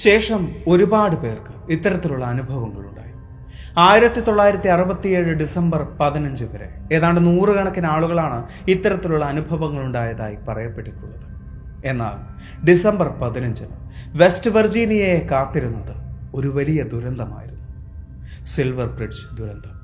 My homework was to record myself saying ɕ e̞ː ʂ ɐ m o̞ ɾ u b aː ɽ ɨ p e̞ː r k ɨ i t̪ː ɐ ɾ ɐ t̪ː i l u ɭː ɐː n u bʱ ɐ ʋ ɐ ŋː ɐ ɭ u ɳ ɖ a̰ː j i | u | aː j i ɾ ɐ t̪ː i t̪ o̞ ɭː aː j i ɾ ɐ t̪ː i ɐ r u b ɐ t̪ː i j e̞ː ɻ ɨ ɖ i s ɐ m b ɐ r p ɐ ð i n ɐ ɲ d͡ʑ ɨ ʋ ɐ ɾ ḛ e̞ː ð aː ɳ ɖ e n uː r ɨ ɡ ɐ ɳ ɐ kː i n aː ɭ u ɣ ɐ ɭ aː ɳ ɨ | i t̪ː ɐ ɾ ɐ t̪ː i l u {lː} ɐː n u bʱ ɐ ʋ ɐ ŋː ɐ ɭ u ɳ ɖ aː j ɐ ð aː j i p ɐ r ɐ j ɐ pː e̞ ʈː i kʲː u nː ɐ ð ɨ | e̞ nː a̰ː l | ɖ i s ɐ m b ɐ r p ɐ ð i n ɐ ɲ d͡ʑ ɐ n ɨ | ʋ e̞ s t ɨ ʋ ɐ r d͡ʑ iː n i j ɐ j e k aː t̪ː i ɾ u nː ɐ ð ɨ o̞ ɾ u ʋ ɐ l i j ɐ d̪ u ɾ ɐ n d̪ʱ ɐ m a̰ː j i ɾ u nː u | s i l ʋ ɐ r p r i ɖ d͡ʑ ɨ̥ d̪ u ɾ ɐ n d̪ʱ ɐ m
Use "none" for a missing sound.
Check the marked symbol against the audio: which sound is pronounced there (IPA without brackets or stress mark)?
ɭː